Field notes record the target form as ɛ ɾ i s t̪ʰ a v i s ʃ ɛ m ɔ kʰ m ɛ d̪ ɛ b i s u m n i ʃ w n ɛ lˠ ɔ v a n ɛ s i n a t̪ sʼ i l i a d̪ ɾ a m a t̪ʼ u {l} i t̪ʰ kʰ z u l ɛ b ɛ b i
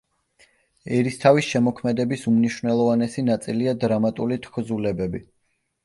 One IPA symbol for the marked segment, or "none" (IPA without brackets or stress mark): l